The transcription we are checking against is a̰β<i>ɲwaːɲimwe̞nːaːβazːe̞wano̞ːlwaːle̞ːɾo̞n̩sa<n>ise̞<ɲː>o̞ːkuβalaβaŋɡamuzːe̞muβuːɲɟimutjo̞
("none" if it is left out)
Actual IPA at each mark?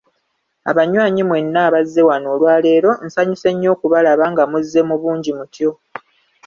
a, ɲ, ɲː

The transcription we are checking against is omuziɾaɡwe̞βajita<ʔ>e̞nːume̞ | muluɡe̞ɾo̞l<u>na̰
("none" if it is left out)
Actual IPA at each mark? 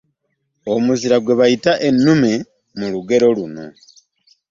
ʔ, u

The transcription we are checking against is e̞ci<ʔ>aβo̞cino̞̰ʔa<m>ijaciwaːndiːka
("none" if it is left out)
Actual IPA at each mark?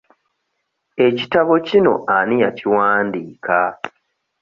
t, n

